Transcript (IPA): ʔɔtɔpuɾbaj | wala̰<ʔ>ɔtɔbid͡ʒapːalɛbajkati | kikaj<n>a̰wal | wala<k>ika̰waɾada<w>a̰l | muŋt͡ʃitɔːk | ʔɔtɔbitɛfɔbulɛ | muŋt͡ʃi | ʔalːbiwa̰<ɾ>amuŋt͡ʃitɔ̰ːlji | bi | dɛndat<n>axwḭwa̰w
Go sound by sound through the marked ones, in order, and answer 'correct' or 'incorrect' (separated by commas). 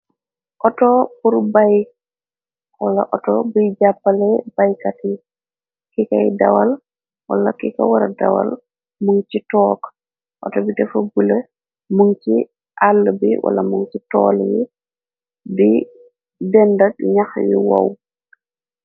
correct, incorrect, correct, correct, incorrect, incorrect